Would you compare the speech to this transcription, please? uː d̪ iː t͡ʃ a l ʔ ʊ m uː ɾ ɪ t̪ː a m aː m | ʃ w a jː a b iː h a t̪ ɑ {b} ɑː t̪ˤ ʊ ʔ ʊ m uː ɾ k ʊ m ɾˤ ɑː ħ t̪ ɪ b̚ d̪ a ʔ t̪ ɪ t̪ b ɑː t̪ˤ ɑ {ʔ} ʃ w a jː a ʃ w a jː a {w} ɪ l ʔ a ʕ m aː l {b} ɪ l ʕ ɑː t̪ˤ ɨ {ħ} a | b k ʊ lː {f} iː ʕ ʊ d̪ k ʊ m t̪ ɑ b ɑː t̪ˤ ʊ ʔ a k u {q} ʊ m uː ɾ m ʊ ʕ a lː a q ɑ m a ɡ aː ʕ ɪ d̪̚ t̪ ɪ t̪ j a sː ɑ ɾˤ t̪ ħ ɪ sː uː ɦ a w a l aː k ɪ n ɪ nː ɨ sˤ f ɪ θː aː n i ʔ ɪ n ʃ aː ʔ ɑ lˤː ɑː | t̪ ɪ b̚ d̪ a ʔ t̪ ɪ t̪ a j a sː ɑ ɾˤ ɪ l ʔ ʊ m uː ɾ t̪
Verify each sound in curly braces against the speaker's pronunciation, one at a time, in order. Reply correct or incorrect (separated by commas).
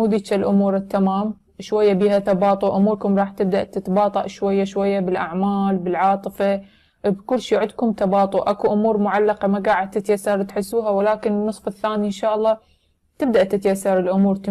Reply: correct, correct, incorrect, correct, incorrect, incorrect, incorrect